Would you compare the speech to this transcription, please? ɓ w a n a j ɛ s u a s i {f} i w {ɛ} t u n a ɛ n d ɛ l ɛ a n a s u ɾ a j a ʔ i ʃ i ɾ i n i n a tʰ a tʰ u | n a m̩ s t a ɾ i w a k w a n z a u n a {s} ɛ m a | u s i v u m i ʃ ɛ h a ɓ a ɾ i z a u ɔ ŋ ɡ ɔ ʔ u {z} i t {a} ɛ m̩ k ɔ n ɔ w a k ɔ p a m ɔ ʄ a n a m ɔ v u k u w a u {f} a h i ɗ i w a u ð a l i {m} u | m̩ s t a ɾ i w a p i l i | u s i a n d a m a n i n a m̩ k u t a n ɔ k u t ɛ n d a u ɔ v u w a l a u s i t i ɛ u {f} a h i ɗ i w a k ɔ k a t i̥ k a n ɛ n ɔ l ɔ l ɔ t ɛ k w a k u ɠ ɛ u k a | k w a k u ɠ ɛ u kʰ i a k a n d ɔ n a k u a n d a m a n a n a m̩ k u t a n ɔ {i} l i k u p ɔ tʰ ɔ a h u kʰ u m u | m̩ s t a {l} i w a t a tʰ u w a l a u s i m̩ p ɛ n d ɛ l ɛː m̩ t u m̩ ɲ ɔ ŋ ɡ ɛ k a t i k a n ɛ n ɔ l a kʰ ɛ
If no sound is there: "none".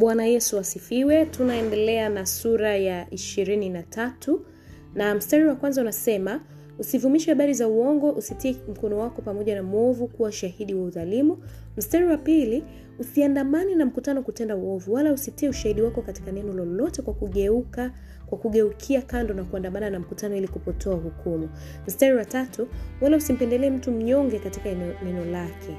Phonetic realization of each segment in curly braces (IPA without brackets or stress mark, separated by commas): f, ɛ, s, s, i, ʃ, m, ʃ, i, ɾ